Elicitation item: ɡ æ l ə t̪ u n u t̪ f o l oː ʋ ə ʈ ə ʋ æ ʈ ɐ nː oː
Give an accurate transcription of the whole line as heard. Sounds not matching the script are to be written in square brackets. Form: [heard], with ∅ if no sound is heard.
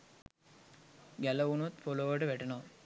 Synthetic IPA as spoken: ɡ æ l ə [∅] u n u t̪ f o l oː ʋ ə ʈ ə ʋ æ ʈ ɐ [n] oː